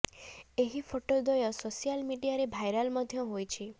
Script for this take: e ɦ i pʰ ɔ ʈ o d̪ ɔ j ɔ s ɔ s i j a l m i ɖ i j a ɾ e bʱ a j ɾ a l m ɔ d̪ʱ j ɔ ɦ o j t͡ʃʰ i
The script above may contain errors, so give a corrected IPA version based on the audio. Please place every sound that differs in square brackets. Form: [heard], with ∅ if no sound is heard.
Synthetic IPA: e ɦ i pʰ [o] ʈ o d̪ ɔ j ɔ s [o] s i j a l m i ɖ i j a ɾ e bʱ a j ɾ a l m ɔ d̪ʱ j ɔ ɦ o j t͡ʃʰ i